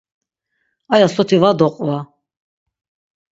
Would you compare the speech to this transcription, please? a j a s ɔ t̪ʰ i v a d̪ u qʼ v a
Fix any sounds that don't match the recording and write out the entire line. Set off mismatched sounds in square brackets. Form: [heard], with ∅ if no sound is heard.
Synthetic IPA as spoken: a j a s ɔ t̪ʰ i v a d̪ [ɔ] qʼ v a